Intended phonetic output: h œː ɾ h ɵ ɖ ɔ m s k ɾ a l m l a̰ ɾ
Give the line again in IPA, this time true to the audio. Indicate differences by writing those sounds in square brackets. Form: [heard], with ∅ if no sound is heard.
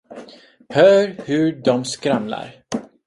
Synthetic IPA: h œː ɾ h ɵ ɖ ɔ m s k ɾ a [∅] m l a̰ ɾ